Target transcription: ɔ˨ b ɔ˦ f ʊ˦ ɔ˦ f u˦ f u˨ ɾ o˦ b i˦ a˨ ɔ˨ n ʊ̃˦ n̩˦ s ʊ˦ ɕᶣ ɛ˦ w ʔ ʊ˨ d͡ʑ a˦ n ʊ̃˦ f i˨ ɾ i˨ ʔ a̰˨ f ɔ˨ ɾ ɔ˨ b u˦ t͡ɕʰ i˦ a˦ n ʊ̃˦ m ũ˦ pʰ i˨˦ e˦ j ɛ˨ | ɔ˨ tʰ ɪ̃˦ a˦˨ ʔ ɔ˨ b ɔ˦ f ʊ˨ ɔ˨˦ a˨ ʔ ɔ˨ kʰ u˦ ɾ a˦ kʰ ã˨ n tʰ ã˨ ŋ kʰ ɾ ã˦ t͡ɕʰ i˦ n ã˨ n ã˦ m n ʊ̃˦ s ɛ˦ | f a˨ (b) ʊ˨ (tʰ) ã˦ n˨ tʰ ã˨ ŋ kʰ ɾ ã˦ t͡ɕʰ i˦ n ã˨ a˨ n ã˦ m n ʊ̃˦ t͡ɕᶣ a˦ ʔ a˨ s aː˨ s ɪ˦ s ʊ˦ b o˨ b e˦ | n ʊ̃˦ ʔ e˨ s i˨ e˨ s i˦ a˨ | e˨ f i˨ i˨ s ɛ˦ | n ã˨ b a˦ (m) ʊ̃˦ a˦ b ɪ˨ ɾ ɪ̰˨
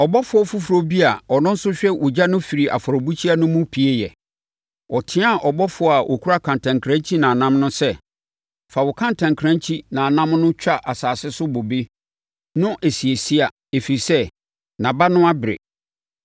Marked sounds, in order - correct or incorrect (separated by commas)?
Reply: incorrect, incorrect, incorrect